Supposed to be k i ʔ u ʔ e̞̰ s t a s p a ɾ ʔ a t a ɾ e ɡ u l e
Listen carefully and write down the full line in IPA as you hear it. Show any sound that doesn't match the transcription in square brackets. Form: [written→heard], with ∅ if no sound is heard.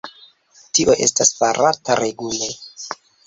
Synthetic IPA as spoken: [k→t] i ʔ [u→o] ʔ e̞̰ s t a s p a ɾ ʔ a t a ɾ e ɡ u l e